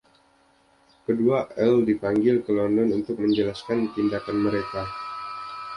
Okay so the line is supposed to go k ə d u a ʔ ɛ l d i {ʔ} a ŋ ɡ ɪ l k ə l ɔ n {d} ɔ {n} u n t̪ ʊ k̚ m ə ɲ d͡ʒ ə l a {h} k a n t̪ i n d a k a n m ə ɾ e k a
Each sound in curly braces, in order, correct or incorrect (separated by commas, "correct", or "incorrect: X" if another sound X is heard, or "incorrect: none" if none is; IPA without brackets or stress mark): incorrect: p, correct, correct, incorrect: s